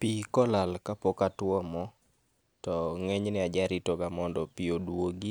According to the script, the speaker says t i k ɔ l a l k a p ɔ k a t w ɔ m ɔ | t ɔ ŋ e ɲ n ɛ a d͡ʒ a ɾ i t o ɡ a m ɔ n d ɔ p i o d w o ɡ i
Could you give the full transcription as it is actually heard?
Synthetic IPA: p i k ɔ l a l k a p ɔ k a t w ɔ m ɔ | t ɔ ŋ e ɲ n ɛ a d͡ʒ a ɾ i t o ɡ a m ɔ n d ɔ p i o d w o ɡ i